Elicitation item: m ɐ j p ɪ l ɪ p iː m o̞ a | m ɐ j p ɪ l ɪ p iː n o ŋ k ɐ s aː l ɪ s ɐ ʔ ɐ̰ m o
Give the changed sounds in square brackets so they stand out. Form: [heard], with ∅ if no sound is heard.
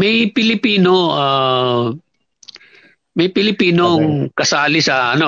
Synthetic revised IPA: m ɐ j p ɪ l ɪ p iː [n] o̞ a | m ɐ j p ɪ l ɪ p iː n o ŋ k ɐ s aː l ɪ s ɐ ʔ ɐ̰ [n] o